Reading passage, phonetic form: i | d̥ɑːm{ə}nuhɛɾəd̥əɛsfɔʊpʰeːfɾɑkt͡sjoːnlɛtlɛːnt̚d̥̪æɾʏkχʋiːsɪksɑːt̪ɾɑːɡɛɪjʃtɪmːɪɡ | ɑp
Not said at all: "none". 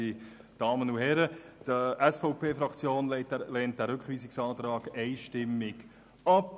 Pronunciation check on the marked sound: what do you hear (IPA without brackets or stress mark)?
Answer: ə